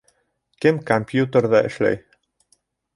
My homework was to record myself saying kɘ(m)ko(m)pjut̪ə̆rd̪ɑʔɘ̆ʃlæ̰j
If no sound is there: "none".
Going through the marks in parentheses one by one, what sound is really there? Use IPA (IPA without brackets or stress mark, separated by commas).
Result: m, m